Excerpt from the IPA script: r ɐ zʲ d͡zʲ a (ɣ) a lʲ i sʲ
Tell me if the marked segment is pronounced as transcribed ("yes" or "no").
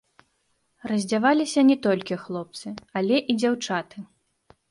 no